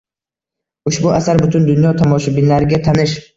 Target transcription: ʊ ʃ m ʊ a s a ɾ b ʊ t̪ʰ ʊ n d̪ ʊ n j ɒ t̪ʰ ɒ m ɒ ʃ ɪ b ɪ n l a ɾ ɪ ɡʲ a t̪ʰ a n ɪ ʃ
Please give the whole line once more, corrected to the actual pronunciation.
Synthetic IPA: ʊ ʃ b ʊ a s a ɾ b ʊ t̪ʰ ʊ n d̪ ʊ n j ɒ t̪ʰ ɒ m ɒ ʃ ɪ b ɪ n l a ɾ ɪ ɡʲ a t̪ʰ a n ɪ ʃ